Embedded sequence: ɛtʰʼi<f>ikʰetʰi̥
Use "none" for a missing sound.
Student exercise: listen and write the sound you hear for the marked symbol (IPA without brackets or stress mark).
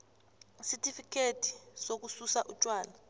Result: f